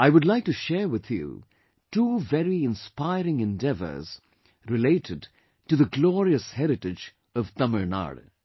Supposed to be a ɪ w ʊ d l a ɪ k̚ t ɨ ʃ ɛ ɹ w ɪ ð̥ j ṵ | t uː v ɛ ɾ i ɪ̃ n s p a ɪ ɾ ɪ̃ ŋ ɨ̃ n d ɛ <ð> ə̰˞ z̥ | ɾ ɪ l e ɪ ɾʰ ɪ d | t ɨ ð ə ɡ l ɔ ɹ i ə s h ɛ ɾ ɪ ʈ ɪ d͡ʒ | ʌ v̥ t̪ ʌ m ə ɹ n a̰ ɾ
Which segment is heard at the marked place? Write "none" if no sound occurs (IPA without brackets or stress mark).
v